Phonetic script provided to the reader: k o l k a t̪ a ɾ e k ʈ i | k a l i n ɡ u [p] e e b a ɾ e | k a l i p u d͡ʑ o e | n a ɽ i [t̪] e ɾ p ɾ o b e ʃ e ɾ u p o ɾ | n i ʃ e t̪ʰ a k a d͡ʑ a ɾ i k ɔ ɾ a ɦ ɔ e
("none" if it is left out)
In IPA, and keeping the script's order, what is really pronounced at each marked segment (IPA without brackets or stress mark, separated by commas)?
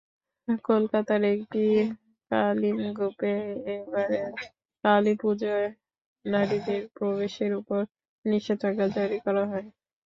p, d̪